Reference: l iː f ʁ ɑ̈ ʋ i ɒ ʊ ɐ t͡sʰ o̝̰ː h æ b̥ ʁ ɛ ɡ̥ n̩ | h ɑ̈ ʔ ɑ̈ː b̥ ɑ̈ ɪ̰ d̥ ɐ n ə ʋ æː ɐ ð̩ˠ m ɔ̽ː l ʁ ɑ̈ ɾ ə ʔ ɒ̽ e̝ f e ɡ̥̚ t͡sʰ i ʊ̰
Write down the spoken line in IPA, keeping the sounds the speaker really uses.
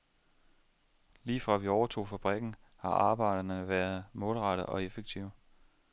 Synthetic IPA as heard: l iː f ʁ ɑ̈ ʋ i ɒ ʊ ɐ t͡sʰ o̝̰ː f æ b̥ ʁ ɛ ɡ̥ n̩ | h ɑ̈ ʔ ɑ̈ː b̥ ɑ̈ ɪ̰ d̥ ɐ n ə ʋ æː ɐ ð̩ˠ m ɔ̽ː l ʁ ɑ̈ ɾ ə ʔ ɒ̽ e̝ f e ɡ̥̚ t͡sʰ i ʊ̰